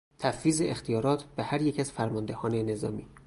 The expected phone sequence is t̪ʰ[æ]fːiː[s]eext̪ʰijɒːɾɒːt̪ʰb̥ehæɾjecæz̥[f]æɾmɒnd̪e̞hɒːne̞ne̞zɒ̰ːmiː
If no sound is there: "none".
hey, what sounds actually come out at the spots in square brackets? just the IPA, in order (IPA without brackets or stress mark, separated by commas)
æ, z, f